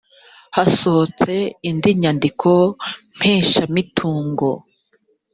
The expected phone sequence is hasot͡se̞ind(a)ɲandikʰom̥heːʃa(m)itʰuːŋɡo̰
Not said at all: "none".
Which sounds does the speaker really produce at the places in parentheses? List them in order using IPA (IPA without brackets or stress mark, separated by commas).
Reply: i, m